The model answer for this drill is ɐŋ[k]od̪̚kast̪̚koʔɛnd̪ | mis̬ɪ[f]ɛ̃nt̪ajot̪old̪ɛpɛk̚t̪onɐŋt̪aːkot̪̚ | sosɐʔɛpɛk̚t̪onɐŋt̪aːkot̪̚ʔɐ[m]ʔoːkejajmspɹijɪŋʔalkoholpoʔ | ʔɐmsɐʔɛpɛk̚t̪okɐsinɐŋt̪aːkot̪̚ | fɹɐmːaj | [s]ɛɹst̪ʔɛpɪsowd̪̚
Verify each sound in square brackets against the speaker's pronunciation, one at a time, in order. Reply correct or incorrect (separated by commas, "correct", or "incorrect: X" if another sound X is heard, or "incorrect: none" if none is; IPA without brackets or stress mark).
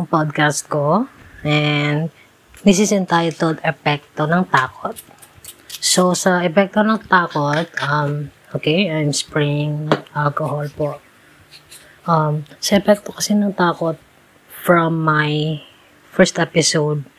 incorrect: p, incorrect: s, correct, incorrect: f